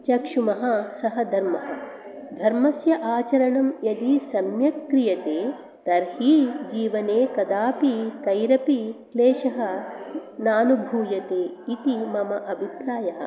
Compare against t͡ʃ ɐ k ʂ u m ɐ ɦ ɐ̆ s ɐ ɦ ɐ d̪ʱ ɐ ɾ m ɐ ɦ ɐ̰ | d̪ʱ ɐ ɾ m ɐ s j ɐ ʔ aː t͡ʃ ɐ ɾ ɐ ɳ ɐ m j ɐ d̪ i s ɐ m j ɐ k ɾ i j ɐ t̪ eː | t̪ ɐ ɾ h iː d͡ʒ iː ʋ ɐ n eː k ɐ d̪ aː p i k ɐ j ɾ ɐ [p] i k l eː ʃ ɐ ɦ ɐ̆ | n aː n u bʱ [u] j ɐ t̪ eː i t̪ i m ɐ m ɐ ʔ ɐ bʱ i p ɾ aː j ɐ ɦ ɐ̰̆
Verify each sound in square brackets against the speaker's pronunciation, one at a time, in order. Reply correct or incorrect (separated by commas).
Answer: correct, incorrect